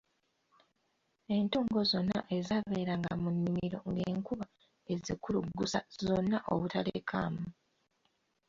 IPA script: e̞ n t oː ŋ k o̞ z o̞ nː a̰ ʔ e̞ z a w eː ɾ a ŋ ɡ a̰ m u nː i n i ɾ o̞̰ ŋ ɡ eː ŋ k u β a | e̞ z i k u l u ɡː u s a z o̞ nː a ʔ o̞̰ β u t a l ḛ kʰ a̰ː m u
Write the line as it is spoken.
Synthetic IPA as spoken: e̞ n t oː ŋ ɡ o̞ z o̞ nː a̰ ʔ e̞ z a β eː ɾ a ŋ ɡ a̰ m u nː i m i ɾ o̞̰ ŋ ɡ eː ŋ k u β a | e̞ z i k u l u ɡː u s a z o̞ nː a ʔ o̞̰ β u t a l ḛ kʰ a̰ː m u